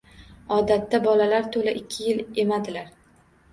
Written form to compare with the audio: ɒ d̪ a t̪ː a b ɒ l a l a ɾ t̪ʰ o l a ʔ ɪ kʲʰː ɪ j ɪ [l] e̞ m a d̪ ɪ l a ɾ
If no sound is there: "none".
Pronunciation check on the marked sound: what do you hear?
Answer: l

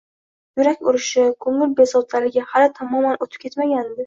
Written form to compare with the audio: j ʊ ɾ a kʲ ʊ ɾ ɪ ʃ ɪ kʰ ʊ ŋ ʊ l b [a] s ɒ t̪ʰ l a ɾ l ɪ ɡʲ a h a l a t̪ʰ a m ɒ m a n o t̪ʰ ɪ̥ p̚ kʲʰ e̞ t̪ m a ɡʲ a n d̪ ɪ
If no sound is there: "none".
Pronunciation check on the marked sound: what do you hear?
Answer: e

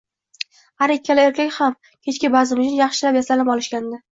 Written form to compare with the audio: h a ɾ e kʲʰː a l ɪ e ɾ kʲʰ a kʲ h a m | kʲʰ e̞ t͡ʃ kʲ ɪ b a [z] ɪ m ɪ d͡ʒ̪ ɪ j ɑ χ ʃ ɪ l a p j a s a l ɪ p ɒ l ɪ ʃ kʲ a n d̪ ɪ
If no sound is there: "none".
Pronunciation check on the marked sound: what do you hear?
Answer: z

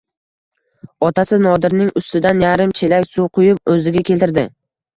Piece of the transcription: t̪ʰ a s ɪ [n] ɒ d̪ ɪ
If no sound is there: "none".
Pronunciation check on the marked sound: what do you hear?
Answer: n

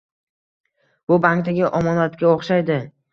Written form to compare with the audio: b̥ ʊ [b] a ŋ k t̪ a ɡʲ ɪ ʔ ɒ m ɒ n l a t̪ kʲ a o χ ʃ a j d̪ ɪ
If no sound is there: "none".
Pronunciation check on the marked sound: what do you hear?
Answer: b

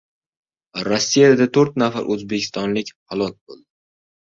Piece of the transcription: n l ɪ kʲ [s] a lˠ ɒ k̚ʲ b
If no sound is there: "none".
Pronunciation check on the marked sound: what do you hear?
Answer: h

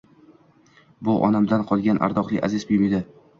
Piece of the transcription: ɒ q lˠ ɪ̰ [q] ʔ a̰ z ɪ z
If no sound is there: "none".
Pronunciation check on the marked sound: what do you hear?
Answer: none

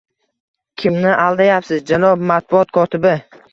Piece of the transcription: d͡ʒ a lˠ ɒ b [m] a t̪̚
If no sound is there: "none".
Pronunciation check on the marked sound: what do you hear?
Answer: m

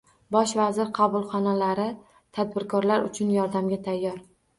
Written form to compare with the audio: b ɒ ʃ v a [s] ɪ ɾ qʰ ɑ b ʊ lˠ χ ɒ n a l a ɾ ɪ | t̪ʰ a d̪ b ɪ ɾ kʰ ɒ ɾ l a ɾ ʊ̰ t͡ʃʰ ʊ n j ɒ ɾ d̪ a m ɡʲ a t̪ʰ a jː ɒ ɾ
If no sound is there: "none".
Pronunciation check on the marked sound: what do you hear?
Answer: z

